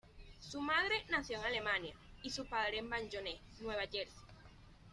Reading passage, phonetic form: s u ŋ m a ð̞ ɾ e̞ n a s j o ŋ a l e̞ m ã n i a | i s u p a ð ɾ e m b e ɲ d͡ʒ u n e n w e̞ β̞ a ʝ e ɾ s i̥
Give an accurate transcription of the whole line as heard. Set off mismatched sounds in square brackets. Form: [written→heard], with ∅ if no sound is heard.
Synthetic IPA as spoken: s u [ŋ→∅] m a ð̞ ɾ e̞ n a [s→θ] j o ŋ a l e̞ m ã n [i→j] a | i s u p a ð ɾ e m b [e→a] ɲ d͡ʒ [u→o] n e n w e̞ β̞ a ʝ e ɾ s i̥